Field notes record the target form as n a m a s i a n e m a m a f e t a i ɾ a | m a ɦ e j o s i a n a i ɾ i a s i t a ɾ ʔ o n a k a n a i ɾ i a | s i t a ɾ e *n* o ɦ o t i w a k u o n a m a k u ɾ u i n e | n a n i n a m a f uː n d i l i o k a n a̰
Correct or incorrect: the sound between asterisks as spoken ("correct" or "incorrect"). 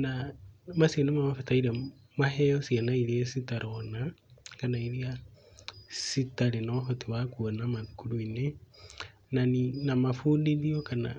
correct